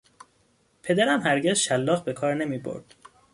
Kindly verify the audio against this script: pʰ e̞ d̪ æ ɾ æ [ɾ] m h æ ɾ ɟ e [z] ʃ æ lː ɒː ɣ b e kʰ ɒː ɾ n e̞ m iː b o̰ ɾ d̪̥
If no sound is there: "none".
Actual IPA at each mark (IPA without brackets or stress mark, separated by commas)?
none, z